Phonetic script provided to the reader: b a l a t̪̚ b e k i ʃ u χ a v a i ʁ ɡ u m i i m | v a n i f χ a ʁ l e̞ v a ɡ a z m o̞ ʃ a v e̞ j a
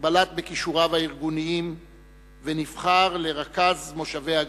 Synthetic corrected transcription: b a l a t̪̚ b e k i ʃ u ʁ a v a i ʁ ɡ u n i i m | v e n i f χ a ʁ l e̞ ʁ a k a z m o̞ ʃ a v e̞ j a